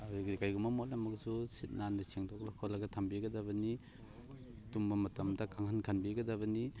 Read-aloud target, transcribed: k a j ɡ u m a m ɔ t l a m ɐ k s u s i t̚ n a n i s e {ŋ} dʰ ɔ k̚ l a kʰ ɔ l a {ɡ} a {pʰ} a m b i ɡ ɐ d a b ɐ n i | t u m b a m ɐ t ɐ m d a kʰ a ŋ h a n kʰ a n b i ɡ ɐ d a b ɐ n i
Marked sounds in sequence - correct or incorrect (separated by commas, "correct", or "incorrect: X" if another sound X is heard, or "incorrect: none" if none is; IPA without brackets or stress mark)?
correct, correct, incorrect: tʰ